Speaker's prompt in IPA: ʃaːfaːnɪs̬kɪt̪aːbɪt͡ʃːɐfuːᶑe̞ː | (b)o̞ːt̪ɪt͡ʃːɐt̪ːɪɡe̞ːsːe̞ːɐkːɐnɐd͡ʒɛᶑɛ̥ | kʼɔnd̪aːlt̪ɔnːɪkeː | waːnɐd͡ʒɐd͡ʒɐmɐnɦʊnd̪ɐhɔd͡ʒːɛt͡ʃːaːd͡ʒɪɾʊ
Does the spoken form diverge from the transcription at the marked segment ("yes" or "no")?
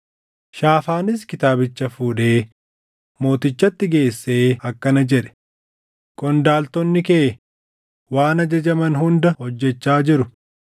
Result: yes